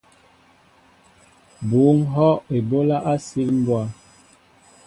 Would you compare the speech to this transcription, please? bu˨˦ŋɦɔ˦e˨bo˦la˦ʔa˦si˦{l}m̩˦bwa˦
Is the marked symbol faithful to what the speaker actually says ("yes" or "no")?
yes